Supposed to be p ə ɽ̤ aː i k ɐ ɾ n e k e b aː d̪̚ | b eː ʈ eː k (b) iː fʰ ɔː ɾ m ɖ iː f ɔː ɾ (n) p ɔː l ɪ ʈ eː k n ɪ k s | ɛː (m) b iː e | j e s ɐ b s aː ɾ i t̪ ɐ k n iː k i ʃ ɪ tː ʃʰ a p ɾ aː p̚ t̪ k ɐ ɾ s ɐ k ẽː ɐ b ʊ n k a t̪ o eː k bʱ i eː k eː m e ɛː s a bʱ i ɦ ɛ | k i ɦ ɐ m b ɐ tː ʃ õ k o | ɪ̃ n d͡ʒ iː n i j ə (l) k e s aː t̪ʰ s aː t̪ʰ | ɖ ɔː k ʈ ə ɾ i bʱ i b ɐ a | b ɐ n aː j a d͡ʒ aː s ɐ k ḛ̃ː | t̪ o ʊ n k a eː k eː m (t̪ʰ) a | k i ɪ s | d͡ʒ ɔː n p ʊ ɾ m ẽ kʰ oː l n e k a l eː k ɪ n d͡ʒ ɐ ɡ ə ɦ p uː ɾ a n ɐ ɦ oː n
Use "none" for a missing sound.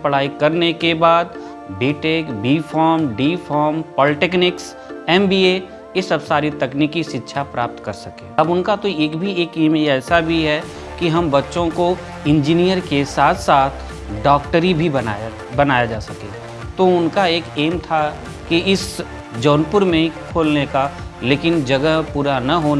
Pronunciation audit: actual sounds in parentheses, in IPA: b, m, m, ɾ, t̪ʰ

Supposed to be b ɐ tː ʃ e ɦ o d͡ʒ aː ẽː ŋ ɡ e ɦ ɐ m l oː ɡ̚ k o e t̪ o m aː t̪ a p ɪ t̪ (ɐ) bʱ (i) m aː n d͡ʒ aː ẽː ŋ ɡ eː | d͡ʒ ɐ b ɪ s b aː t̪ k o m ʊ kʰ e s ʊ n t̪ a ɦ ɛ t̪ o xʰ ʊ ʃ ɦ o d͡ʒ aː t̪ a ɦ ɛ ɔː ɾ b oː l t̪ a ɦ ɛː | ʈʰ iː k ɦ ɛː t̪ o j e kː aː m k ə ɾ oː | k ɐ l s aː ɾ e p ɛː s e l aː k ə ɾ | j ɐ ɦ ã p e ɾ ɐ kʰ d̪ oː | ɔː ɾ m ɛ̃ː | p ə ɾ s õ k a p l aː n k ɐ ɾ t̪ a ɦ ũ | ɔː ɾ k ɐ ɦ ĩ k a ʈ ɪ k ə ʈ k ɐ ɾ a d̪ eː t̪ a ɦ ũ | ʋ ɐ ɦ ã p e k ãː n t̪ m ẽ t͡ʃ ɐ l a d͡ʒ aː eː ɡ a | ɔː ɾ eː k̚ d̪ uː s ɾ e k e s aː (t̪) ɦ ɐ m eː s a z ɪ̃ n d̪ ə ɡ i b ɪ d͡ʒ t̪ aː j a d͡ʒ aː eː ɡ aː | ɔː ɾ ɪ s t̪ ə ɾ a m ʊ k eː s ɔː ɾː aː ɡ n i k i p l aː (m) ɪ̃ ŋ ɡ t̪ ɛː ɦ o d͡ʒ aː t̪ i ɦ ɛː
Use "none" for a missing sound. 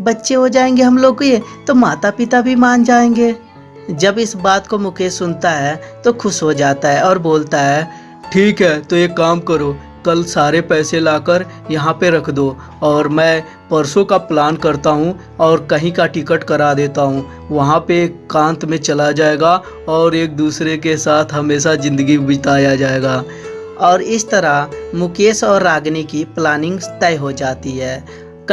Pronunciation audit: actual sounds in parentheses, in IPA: a, i, t̪ʰ, n

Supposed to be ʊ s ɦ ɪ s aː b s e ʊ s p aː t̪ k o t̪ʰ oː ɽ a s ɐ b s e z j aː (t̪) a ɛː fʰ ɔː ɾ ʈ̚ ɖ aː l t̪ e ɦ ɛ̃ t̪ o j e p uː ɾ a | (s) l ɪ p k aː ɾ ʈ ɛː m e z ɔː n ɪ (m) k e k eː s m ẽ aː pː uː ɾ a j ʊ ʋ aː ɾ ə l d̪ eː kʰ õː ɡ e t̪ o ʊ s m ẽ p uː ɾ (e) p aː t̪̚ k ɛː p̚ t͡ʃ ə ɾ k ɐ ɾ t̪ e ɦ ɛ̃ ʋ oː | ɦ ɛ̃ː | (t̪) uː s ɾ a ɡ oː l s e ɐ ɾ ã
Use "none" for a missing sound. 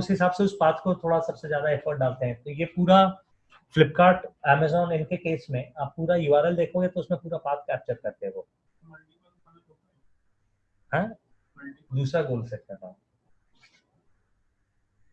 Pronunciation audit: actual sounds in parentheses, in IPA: d̪, f, n, a, d̪

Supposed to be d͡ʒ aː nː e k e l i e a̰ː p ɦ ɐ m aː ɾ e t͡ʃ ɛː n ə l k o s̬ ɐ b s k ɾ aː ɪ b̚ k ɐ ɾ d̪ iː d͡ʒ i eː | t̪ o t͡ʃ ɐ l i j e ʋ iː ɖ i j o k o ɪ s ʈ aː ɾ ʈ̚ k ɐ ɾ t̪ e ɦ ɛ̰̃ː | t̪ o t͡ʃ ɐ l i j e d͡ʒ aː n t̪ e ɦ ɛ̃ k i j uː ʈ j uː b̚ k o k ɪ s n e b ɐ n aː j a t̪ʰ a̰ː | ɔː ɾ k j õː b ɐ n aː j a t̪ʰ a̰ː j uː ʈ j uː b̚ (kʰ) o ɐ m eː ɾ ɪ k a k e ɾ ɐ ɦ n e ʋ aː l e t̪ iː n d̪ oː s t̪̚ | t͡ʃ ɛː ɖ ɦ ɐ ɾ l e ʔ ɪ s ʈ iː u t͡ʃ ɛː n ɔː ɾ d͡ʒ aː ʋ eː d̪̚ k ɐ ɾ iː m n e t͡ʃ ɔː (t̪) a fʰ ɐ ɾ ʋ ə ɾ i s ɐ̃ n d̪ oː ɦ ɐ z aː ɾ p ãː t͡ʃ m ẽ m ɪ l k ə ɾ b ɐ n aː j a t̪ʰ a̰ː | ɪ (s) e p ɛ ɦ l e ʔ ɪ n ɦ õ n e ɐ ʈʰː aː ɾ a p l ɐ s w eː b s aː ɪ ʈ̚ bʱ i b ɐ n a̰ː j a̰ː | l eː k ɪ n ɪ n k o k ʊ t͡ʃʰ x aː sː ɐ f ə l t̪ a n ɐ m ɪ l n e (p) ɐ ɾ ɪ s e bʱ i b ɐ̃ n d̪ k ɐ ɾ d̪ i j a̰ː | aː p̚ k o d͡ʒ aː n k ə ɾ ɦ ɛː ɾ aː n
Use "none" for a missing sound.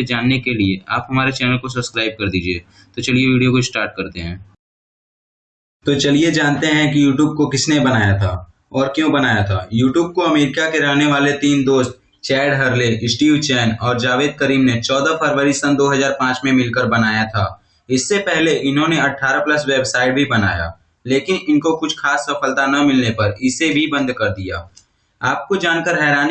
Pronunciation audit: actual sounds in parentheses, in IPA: k, d̪, sː, p

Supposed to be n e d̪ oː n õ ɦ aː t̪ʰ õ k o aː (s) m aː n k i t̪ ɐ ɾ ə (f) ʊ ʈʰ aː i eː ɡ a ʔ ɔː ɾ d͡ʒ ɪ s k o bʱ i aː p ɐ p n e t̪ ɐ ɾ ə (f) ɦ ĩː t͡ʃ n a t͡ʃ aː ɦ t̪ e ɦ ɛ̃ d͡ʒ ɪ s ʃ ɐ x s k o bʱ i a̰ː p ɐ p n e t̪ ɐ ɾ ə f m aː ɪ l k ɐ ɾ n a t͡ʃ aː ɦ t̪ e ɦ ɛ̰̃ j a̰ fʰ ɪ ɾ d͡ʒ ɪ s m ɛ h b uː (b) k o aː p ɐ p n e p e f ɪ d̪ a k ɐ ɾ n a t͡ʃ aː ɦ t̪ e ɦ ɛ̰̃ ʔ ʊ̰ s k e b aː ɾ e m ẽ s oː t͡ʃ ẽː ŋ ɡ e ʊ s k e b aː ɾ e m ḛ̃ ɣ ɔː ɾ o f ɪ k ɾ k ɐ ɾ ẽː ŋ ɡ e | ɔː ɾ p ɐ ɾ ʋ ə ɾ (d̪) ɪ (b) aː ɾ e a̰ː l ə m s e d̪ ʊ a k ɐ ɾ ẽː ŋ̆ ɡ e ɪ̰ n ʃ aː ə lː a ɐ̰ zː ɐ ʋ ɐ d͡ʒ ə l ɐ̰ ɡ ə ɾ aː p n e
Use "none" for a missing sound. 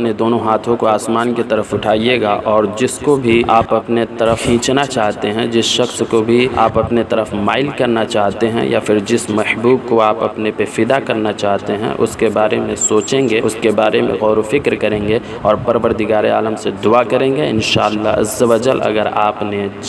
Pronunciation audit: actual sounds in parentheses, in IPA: s, f, f, b, d̪, ɡ

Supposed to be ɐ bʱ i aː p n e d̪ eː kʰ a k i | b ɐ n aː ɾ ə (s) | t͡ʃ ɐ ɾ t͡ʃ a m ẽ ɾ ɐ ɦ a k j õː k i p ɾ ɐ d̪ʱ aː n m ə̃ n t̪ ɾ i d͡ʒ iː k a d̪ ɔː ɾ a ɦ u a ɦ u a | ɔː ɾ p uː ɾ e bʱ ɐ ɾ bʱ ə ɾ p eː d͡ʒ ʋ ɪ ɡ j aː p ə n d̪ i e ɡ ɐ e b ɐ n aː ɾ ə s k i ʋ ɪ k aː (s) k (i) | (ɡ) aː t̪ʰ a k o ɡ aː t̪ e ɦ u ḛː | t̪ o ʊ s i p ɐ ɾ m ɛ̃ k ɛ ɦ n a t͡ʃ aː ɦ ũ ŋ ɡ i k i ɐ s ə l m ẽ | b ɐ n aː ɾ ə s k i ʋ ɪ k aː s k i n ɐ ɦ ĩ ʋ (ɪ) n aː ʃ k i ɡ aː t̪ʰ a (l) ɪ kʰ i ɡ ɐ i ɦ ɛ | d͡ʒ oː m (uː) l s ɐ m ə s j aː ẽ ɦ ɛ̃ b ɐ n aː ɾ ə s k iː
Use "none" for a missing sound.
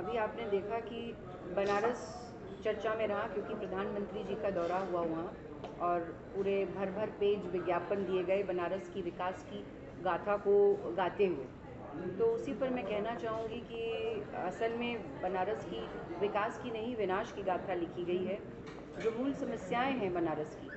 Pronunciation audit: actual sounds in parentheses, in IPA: s, s, i, ɡ, ɪ, l, uː

